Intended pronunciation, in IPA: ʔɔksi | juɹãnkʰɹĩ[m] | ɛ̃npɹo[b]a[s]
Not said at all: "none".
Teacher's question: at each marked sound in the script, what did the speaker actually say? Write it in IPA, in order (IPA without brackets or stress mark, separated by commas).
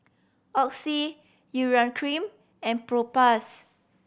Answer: m, p, s